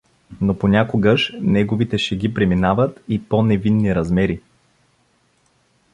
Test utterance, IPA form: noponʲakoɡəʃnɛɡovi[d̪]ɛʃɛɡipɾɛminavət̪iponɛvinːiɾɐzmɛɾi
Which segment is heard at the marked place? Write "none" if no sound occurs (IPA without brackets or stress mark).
t̪